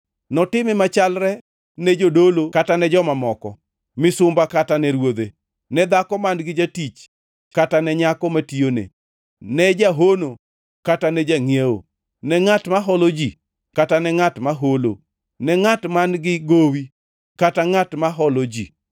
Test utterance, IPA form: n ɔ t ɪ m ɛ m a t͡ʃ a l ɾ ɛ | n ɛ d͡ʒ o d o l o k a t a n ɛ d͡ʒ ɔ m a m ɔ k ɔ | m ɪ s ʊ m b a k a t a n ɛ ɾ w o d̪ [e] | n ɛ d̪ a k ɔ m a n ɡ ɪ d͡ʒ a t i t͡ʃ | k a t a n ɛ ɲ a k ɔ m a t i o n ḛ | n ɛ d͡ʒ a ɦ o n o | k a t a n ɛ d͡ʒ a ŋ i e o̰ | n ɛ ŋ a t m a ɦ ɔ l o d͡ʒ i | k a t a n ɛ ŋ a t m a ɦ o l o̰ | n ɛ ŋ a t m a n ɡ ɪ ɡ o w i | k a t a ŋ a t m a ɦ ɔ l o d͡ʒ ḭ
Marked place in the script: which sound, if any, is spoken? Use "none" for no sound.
e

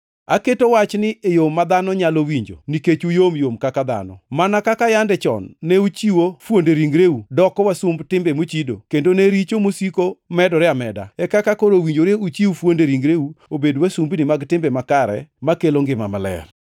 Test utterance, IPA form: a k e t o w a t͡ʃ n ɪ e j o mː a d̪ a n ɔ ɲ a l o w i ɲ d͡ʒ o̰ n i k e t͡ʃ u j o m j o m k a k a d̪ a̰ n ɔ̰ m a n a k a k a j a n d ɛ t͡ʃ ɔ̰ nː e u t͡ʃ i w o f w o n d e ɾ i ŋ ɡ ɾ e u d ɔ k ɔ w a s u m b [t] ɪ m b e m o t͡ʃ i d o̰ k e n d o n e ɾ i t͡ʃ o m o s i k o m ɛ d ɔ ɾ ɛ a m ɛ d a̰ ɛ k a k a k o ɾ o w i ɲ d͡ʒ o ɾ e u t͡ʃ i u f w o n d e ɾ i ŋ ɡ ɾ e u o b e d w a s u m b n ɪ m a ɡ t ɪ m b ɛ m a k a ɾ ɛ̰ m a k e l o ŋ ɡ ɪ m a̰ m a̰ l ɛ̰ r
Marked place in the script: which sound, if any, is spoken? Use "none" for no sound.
t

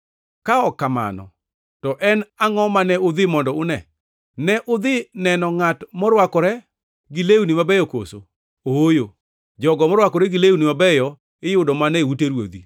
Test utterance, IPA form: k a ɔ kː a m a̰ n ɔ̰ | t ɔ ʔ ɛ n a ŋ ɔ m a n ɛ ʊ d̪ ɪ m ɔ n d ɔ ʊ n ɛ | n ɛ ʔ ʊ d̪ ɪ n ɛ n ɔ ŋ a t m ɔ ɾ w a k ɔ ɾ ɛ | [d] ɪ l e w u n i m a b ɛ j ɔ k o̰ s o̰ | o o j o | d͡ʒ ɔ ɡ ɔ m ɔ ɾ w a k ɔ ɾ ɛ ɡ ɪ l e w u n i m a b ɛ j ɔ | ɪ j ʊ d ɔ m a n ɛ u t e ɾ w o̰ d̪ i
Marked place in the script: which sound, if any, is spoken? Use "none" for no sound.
ɡ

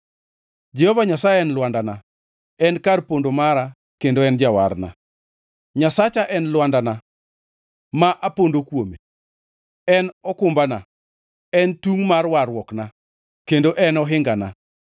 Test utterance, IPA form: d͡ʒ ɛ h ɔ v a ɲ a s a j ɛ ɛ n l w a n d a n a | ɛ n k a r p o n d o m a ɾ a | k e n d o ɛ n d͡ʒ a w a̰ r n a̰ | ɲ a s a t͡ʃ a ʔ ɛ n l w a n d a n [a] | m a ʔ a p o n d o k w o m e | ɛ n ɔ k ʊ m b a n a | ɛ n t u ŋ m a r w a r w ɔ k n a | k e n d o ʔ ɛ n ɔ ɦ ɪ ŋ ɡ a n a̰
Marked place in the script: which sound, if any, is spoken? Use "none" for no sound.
a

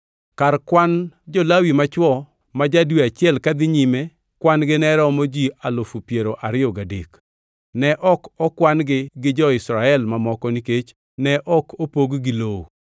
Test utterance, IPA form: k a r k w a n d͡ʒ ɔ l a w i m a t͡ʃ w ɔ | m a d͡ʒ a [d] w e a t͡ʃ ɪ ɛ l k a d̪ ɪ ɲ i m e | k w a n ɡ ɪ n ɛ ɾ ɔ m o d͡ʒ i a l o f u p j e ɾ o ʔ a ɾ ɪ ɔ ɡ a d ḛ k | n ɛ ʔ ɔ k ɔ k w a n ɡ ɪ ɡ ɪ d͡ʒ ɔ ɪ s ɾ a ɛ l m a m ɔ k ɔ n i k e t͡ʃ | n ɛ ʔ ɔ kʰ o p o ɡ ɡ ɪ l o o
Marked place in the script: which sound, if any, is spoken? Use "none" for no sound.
d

